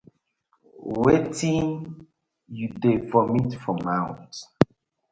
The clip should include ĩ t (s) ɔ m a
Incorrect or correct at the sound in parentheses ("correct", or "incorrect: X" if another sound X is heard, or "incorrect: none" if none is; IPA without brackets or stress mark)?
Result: incorrect: f